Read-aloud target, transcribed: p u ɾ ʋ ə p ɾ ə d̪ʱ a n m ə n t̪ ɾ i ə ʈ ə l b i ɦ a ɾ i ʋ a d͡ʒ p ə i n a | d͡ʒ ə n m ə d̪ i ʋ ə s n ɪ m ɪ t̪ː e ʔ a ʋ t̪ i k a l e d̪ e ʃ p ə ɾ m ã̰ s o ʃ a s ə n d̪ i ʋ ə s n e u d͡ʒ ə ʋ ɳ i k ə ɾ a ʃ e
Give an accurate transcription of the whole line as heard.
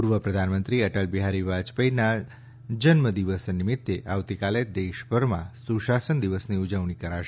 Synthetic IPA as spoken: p u ɾ ʋ ə p ɾ ə d̪ʱ a n m ə n t̪ ɾ i ə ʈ ə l b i ɦ a ɾ i ʋ a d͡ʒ p ə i n a | d͡ʒ ə n m ə d̪ i ʋ ə s n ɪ m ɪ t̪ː e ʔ a ʋ t̪ i k a l e d̪ e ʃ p ə ɾ m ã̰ s u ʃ a s ə n d̪ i ʋ ə s n i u d͡ʒ ə ʋ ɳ i k ə ɾ a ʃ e